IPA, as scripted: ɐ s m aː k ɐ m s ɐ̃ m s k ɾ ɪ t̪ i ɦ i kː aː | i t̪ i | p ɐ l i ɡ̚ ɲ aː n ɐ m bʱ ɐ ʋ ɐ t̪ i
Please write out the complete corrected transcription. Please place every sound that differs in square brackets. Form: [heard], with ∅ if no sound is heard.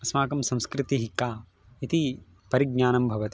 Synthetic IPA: ɐ s m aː k ɐ m s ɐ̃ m s k ɾ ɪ t̪ i ɦ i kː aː | i t̪ i | p ɐ [ɾ] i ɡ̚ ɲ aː n ɐ m bʱ ɐ ʋ ɐ t̪ i